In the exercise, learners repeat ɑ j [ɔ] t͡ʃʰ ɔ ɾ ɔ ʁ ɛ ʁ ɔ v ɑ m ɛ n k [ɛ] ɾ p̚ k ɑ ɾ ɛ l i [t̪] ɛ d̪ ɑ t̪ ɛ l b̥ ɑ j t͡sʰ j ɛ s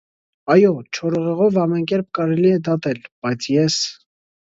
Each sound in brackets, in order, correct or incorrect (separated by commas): correct, correct, incorrect